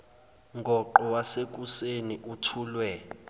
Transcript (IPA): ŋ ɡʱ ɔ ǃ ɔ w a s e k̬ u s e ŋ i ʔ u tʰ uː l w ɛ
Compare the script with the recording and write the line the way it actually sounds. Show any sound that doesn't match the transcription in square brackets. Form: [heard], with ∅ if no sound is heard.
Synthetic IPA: ŋ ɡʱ ɔ ǃ ɔ w a s e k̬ u s e [n] i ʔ u tʰ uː l w ɛ